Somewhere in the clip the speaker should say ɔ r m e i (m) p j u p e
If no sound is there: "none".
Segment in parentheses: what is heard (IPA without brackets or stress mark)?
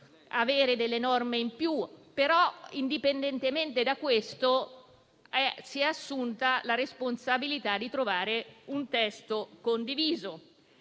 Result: m